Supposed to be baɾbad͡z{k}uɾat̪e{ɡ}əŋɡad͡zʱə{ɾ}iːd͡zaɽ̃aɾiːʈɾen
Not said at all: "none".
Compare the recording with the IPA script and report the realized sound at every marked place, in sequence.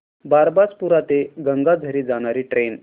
p, ɡ, ɾ

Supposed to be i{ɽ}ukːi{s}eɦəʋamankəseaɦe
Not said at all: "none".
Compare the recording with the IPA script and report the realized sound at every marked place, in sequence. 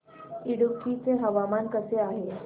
ɽ, t͡s

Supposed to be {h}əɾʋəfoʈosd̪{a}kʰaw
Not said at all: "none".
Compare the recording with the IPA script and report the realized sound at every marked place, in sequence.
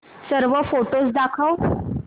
s, a

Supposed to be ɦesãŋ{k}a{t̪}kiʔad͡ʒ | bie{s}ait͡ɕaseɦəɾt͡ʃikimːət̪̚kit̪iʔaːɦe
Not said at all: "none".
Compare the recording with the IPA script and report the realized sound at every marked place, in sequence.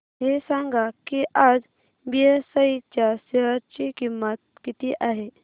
ɡ, none, s

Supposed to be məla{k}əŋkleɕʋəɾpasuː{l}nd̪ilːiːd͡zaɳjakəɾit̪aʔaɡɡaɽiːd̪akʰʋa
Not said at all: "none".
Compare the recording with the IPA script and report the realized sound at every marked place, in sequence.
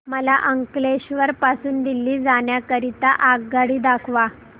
ʔ, none

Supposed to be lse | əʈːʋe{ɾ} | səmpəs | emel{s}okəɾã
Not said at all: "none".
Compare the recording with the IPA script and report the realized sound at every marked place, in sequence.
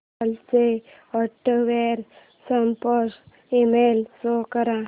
ɾ, s

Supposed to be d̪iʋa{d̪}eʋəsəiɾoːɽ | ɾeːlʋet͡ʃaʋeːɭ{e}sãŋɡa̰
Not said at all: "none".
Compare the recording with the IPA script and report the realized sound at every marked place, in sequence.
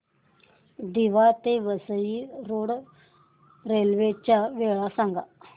t̪, a

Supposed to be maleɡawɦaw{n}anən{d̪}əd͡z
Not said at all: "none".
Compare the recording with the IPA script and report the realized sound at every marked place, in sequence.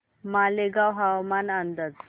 m, d̪

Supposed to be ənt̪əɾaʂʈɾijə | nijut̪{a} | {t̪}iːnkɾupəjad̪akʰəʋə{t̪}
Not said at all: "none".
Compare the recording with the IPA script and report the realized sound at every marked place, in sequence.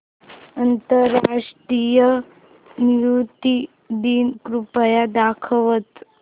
i, d̪, t̪

